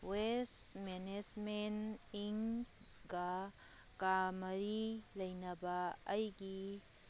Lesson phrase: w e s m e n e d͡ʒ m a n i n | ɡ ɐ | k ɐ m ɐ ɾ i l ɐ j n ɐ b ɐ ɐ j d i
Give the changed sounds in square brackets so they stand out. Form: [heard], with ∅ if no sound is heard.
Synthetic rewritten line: w e s m e n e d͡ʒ m [e] n i [ŋ] | ɡ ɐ | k [a] m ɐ ɾ i l ɐ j n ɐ b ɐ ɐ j [ɡ] i